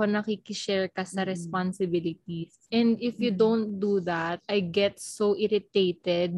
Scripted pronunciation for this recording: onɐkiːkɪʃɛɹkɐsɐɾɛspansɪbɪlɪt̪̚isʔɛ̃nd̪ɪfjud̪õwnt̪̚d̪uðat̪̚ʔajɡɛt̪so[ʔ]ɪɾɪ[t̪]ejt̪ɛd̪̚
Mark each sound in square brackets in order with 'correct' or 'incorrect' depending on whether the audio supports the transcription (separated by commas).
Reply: correct, correct